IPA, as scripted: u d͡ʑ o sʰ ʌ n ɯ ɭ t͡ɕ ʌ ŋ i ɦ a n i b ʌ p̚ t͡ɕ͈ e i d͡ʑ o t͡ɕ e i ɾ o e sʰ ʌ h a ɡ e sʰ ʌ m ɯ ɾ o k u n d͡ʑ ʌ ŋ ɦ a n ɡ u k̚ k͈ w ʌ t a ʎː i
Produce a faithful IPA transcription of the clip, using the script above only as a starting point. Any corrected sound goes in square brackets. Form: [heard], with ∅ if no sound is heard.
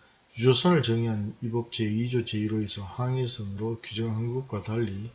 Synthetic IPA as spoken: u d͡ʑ o sʰ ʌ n ɯ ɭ t͡ɕ ʌ ŋ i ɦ a n i b ʌ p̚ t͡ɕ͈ e i d͡ʑ o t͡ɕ e i ɾ o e sʰ ʌ h a [ŋ] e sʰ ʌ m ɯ ɾ o k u [∅] d͡ʑ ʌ ŋ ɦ a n ɡ u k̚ k͈ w [a] t a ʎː i